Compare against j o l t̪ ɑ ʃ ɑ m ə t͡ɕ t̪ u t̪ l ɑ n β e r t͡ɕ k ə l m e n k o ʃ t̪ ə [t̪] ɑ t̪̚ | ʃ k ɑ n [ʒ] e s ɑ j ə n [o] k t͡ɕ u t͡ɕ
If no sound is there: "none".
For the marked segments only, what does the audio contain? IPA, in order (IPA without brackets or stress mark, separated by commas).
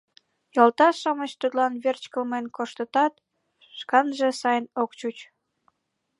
t̪, ʒ, o